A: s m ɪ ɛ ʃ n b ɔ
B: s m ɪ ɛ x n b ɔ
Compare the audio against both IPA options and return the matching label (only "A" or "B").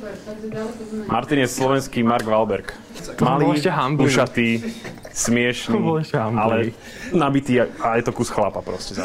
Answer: A